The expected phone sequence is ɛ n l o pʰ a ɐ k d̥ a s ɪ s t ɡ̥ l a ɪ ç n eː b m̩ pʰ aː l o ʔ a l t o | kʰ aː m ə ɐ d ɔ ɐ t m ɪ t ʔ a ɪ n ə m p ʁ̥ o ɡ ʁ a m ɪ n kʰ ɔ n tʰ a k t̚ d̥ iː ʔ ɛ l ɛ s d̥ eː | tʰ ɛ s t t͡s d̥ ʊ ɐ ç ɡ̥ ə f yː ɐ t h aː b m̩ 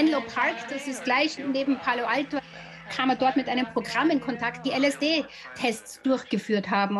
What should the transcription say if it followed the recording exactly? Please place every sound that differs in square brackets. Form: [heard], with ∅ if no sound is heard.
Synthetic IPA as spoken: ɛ n l o pʰ a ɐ k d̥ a s ɪ s t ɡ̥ l a ɪ ç n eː b m̩ pʰ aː l o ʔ a l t o | kʰ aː m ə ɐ d ɔ ɐ t m ɪ t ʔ a ɪ n ə m p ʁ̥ o ɡ ʁ a m ɪ n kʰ ɔ n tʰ a k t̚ d̥ iː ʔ ɛ l ɛ s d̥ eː | tʰ ɛ s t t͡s d̥ ʊ ɐ ç ɡ̥ ə f yː ɐ t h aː b m̩